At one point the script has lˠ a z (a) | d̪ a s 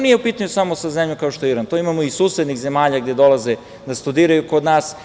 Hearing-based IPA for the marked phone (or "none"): e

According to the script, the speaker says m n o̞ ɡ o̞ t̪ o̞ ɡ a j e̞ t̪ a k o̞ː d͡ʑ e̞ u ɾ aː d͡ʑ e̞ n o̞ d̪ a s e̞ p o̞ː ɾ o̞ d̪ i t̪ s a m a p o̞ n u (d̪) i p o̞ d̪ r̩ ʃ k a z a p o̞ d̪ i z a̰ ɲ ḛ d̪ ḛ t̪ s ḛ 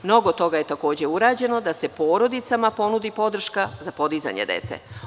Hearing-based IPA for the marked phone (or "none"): d̪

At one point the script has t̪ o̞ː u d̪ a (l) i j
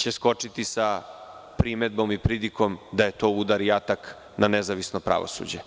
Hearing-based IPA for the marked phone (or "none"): ɾ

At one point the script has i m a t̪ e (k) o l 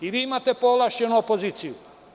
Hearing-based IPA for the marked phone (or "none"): p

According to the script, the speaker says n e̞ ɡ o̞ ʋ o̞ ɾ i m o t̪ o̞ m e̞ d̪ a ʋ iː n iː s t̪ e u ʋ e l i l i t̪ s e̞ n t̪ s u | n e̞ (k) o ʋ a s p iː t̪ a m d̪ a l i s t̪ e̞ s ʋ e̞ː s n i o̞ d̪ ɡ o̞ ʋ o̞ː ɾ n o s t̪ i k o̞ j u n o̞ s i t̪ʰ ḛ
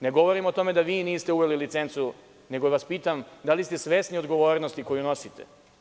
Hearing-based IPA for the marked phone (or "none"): ɡ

